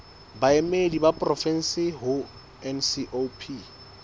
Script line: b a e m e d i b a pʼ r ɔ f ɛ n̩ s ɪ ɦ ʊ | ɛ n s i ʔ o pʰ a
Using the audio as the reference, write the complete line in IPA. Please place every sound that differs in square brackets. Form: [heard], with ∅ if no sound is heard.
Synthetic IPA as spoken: b a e m e d i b a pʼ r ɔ f ɛ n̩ s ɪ ɦ ʊ | ɛ n s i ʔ o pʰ [i]